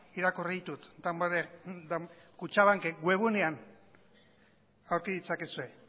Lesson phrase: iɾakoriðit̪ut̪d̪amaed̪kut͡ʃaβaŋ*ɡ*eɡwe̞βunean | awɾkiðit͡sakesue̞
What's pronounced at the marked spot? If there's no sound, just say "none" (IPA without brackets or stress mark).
k